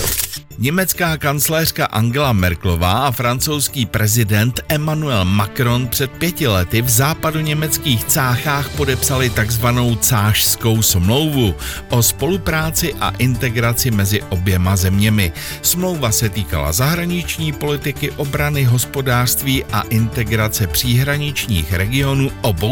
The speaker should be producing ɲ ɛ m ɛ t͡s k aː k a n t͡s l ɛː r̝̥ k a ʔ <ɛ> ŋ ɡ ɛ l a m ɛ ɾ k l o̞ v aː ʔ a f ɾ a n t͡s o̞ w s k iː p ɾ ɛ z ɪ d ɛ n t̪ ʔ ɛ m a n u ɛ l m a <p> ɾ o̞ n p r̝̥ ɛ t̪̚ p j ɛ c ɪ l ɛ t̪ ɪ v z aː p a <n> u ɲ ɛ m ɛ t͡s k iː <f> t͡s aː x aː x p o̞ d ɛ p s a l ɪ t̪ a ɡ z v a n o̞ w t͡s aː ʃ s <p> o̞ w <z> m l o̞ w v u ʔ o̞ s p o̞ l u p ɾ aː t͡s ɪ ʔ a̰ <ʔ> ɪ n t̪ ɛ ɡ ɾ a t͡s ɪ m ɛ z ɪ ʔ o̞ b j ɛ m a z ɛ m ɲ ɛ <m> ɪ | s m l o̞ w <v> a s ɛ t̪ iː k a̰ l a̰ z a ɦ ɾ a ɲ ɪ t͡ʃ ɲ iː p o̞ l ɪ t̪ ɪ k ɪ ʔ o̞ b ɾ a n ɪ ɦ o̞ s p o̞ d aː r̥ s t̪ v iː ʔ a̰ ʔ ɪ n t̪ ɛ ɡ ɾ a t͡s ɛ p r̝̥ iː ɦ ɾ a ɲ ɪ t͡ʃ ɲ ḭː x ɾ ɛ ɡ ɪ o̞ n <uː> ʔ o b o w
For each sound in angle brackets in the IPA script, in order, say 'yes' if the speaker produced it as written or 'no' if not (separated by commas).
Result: no, no, no, no, no, no, yes, yes, yes, yes